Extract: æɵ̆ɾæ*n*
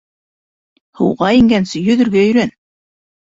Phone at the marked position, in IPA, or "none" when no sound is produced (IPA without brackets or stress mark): n